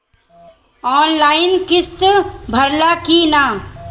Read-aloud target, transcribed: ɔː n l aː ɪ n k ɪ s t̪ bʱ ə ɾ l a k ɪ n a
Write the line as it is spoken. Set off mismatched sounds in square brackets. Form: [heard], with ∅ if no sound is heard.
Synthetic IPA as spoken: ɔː n l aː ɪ n k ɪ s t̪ bʱ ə ɾ l a k [i] n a